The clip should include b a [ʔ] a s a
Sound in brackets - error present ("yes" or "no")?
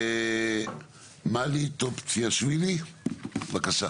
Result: yes